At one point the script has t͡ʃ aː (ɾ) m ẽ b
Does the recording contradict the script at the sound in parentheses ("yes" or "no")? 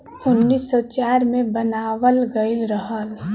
no